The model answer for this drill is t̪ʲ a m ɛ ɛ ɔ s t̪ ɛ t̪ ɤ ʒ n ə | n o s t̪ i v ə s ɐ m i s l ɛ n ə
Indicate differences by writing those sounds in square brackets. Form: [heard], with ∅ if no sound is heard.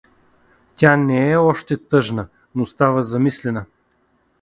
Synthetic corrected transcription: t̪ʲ a [n] ɛ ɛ ɔ [ʃ] t̪ ɛ t̪ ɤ ʒ n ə | n o s t̪ [a] v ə [z] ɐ m i s l ɛ n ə